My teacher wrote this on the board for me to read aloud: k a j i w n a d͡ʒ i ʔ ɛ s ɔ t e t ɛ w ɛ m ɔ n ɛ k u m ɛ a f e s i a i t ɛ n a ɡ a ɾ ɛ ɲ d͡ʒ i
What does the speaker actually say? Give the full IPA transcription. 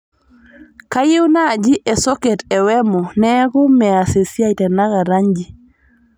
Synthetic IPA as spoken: k a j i w n a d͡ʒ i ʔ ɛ s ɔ k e t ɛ w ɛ m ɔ n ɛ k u m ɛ a s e s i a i t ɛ n a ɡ a ɾ a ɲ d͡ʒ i